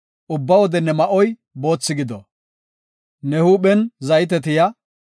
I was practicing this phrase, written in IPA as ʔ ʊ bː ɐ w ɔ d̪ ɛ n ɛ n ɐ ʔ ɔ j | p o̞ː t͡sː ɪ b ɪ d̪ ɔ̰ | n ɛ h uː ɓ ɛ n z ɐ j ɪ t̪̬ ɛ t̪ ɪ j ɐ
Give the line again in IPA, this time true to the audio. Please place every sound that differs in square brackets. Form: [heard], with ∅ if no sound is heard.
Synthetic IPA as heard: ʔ ʊ bː ɐ w ɔ d̪ ɛ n ɛ [m] ɐ ʔ ɔ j | [b] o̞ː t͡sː ɪ [ɡ] ɪ d̪ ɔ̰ | n ɛ h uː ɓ ɛ n z ɐ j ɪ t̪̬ ɛ t̪ ɪ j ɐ